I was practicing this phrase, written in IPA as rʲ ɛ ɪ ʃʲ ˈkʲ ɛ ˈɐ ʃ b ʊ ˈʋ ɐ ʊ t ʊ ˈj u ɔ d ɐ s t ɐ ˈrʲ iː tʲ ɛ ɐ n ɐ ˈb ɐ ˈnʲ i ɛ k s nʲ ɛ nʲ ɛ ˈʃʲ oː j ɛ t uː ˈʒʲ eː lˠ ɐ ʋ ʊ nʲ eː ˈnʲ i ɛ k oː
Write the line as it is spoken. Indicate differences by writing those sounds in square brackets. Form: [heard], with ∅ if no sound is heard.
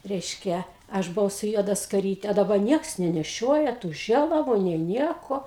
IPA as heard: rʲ ɛ ɪ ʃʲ ˈkʲ ɛ ˈɐ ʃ b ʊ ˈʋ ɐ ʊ [s] ʊ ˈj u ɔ d ɐ s [k] ɐ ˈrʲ iː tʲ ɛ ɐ [d] ɐ ˈb ɐ ˈnʲ i ɛ k s nʲ ɛ nʲ ɛ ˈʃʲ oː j ɛ t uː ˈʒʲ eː lˠ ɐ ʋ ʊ nʲ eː ˈnʲ i ɛ k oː

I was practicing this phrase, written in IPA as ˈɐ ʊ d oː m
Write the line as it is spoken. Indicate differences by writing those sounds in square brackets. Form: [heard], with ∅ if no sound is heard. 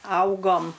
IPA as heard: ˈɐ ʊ [ɡ] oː m

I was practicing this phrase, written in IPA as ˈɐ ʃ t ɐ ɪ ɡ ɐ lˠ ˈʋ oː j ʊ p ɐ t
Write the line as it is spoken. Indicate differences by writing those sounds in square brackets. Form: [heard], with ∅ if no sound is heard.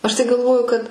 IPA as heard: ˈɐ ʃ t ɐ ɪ ɡ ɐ lˠ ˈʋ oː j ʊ [k] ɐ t

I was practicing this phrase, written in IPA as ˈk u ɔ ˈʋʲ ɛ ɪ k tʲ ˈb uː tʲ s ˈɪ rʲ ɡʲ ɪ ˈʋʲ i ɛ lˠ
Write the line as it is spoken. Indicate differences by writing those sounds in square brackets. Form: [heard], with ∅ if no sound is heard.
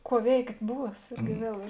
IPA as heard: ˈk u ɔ ˈʋʲ ɛ ɪ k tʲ ˈb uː [∅] s ˈɪ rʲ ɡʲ ɪ ˈʋʲ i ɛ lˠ

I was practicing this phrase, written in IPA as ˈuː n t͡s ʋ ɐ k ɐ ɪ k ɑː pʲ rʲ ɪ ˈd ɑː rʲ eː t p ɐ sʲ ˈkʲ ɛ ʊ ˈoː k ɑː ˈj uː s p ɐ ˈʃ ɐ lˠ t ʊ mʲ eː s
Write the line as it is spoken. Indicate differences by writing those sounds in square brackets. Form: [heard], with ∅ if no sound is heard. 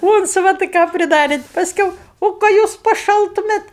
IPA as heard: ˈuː n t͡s ʋ ɐ [t] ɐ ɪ k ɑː pʲ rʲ ɪ ˈd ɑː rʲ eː t p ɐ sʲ ˈkʲ ɛ ʊ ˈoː k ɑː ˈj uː s p ɐ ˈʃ ɐ lˠ t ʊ mʲ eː [t]

